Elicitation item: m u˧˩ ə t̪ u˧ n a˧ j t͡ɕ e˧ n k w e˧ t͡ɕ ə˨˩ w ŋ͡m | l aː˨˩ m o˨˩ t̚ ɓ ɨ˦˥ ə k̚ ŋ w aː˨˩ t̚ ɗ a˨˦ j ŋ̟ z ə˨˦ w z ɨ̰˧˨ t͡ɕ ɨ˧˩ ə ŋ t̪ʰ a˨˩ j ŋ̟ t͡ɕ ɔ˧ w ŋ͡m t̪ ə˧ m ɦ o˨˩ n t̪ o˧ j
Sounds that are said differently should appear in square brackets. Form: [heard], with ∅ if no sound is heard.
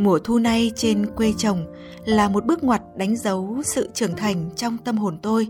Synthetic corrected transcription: m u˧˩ ə [t̪ʰ] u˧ n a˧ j t͡ɕ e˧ n k w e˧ t͡ɕ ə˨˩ w ŋ͡m | l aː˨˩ m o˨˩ t̚ ɓ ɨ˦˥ ə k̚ ŋ w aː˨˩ t̚ ɗ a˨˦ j ŋ̟ z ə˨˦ w [s] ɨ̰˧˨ t͡ɕ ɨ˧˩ ə ŋ t̪ʰ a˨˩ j ŋ̟ t͡ɕ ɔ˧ w ŋ͡m t̪ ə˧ m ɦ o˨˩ n t̪ o˧ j